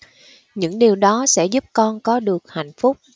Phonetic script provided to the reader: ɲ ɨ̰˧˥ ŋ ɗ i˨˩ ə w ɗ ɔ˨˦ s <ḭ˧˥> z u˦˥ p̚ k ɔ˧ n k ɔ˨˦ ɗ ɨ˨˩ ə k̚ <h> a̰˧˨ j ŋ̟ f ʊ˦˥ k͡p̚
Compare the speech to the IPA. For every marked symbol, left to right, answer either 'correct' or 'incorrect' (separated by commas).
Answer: incorrect, correct